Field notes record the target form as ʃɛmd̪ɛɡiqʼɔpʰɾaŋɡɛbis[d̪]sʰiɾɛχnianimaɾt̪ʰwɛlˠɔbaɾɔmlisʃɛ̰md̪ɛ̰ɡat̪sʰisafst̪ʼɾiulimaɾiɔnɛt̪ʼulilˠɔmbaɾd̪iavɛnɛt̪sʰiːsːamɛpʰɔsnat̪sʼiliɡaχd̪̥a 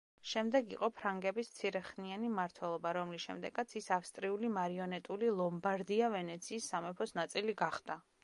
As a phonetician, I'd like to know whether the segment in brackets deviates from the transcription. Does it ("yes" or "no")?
yes